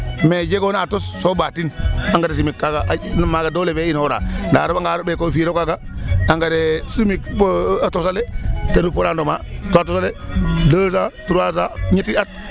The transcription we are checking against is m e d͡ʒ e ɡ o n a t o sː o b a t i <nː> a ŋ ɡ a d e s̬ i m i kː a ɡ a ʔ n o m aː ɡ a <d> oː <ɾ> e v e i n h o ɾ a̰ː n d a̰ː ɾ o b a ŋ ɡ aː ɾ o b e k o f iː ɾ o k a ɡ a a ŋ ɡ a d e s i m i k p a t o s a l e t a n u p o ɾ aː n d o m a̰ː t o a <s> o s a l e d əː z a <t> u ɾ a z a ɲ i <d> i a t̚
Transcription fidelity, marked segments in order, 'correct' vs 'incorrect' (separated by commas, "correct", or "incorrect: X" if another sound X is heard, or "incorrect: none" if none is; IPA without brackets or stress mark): incorrect: n, correct, incorrect: l, incorrect: t, correct, incorrect: t